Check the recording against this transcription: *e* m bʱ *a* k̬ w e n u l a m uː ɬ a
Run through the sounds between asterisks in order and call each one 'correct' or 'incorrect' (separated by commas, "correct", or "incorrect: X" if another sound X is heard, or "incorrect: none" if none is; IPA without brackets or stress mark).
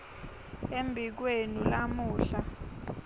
correct, incorrect: i